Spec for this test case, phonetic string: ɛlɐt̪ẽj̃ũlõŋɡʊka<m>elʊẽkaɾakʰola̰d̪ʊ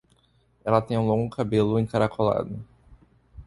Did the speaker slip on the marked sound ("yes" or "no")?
yes